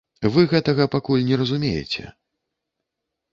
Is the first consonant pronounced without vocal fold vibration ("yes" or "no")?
no